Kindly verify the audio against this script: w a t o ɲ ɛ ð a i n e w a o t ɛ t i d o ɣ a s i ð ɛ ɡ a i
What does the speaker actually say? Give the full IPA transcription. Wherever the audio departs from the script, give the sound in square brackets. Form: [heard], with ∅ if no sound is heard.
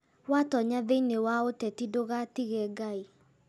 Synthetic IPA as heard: w a t [ɔ] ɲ [a] ð [e] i n e w a o t ɛ t i d o ɣ a [t] i [ɣ] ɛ ɡ a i